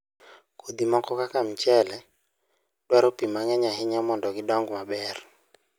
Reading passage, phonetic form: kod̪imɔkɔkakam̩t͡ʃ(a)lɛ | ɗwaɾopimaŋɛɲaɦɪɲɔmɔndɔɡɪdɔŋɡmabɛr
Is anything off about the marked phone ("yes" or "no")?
yes